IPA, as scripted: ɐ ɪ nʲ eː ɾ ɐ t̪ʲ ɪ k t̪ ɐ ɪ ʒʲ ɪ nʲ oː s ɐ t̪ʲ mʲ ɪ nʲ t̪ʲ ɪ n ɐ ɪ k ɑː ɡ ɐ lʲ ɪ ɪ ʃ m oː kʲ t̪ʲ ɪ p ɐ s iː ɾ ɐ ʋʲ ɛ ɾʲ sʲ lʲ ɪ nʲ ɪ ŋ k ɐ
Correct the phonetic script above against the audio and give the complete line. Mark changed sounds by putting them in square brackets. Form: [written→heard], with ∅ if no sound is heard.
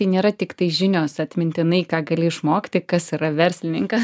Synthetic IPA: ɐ ɪ nʲ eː ɾ ɐ t̪ʲ ɪ k t̪ ɐ ɪ ʒʲ ɪ nʲ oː s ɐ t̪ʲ mʲ ɪ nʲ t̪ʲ ɪ n ɐ ɪ k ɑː ɡ ɐ lʲ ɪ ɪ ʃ m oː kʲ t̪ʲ ɪ [p→k] ɐ s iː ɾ ɐ ʋʲ ɛ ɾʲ sʲ lʲ ɪ nʲ ɪ ŋ k ɐ